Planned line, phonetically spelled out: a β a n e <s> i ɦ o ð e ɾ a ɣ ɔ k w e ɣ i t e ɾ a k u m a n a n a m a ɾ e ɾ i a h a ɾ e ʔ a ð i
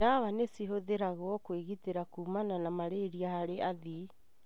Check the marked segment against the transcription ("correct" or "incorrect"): correct